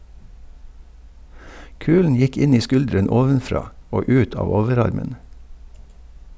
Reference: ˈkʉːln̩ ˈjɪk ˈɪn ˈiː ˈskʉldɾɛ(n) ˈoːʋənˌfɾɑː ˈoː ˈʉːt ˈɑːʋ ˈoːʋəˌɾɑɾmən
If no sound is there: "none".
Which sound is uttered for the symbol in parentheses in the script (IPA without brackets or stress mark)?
n